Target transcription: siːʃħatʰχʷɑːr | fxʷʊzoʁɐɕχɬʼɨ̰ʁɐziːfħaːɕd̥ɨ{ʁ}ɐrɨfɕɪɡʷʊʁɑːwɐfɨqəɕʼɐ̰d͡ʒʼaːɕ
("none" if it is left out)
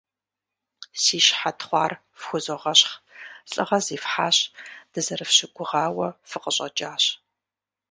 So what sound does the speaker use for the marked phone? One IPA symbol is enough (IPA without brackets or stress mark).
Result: z